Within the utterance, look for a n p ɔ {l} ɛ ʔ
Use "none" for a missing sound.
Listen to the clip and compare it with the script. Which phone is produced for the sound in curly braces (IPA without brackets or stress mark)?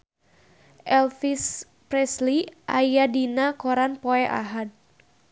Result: none